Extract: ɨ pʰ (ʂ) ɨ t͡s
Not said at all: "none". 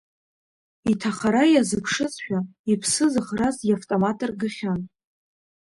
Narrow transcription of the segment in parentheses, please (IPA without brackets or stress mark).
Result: ʂ